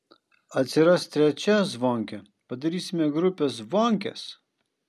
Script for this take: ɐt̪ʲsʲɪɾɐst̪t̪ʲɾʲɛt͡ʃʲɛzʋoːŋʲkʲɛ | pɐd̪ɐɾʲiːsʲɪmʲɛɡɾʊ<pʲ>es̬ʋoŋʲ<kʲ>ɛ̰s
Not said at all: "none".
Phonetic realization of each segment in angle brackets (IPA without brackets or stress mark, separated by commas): pʲ, kʲ